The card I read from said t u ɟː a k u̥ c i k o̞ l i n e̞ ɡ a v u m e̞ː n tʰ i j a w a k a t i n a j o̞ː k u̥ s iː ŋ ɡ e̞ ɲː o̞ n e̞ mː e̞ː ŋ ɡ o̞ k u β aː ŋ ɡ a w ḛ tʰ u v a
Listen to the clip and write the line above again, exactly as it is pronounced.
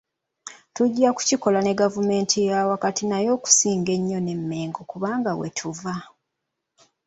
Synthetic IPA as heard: t u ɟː a k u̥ c i k o̞ l a n e̞ ɡ a v u m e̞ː n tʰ i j a w a k a t i n a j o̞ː k u̥ s iː ŋ ɡ e̞ ɲː o̞ n e̞ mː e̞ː ŋ ɡ o̞ k u β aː ŋ ɡ a w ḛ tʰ u v a